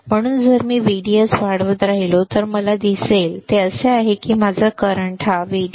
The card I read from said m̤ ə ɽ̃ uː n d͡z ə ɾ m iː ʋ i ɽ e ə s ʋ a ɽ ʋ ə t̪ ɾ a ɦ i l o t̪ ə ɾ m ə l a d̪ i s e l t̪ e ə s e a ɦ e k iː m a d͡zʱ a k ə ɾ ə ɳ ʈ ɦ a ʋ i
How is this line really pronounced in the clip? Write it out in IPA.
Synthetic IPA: m̤ ə ɽ̃ uː n d͡z ə ɾ m iː ʋ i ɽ i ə s ʋ a ɽ ʋ ə t̪ ɾ a ɦ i l o t̪ ə ɾ m ə l a d̪ i s e l t̪ e ə s e a ɦ e k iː m a d͡zʱ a k ə ɾ ə ɳ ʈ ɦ a ʋ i